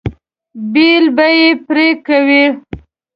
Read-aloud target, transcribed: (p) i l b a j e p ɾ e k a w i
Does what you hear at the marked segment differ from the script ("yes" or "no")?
yes